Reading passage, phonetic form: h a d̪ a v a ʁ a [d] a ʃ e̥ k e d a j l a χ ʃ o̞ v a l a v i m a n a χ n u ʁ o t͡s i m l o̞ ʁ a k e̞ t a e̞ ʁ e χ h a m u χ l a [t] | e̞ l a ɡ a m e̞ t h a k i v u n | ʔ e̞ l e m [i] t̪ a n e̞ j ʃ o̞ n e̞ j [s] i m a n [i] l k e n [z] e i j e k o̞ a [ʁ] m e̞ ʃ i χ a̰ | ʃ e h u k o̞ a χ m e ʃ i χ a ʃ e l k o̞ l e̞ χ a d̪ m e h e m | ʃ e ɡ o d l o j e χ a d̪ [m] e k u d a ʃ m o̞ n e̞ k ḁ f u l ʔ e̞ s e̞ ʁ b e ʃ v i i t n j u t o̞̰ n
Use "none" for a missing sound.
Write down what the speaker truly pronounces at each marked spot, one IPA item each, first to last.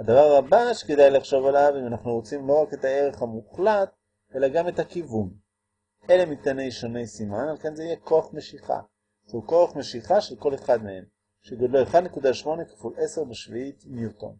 b, t, i, s, a, z, χ, n

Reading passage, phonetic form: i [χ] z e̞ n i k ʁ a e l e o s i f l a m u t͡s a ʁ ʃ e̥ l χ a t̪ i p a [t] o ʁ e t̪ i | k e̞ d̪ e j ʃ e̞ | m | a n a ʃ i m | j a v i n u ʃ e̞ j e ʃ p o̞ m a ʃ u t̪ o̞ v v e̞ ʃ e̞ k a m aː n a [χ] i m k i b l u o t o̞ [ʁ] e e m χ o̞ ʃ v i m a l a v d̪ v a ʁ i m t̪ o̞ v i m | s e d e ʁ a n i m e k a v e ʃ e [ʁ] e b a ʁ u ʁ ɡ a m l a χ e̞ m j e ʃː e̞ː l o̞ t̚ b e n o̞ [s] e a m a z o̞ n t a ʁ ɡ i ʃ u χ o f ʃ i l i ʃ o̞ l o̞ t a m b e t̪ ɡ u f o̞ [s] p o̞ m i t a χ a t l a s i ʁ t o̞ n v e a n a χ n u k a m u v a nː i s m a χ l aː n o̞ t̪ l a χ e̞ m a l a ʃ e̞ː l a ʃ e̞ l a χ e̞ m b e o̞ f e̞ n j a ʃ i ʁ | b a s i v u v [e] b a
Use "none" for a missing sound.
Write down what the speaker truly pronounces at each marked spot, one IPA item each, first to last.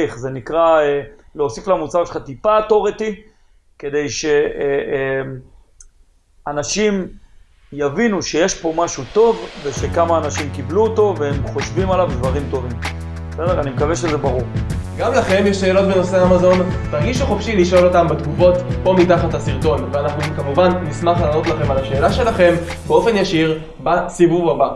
χ, t, ʃ, v, z, s, t, a

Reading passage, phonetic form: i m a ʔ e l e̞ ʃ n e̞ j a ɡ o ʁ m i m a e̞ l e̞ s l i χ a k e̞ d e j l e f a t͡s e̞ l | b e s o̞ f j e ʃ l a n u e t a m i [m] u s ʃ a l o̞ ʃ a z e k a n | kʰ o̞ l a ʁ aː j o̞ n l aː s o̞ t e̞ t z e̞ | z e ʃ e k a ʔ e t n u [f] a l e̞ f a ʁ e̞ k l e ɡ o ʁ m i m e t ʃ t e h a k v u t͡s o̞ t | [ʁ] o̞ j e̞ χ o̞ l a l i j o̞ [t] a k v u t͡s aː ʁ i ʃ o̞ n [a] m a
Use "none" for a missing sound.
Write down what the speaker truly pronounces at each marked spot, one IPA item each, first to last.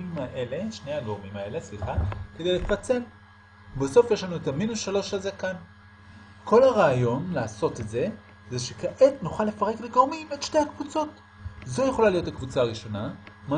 n, χ, z, t, a

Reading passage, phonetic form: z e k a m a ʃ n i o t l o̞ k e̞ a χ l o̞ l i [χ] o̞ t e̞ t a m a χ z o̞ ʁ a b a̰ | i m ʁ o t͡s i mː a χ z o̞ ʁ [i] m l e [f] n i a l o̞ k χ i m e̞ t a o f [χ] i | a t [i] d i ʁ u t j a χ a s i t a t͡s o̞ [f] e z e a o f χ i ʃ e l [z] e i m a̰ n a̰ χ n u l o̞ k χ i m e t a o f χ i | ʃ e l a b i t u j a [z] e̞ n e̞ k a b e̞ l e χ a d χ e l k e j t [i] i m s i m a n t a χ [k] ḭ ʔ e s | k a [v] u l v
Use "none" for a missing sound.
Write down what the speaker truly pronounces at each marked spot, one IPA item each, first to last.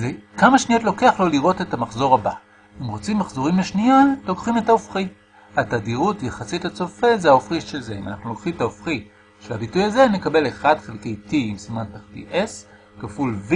ʁ, i, ʃ, χ, a, f, z, z, i, t, f

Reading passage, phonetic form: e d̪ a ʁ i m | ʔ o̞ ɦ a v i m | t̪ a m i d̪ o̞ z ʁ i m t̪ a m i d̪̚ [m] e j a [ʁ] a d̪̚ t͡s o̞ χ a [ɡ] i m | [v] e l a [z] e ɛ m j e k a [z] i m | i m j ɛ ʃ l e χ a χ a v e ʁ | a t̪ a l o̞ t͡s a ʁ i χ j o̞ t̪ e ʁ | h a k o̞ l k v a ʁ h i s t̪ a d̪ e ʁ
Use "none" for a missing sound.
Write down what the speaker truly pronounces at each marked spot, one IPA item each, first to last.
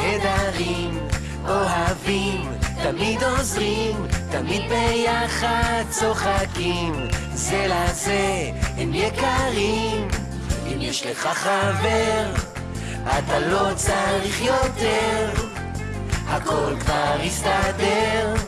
b, χ, k, z, z, ʁ

